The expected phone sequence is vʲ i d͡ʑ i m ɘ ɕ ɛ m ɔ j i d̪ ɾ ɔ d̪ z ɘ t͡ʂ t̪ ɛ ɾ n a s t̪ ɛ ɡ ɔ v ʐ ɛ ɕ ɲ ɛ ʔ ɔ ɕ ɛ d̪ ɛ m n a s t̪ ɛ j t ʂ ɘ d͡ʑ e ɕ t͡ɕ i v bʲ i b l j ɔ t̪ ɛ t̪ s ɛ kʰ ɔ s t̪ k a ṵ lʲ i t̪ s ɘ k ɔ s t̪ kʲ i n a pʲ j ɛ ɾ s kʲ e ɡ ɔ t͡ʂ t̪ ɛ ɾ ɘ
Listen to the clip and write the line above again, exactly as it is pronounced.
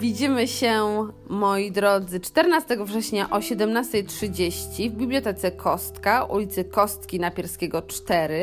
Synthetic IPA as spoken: vʲ i d͡ʑ i m ɘ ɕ ɛ m ɔ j i d̪ ɾ ɔ d̪ z ɘ t͡ʂ t̪ ɛ ɾ n a s t̪ ɛ ɡ ɔ v ʐ ɛ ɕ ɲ a ʔ ɔ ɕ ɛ d̪ ɛ m n a s t̪ ɛ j t ʂ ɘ d͡ʑ e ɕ t͡ɕ i v bʲ i b l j ɔ t̪ ɛ t̪ s ɛ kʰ ɔ s t̪ k a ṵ lʲ i t̪ s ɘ k ɔ s t̪ kʲ i n a pʲ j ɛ ɾ s kʲ e ɡ ɔ t͡ʂ t̪ ɛ ɾ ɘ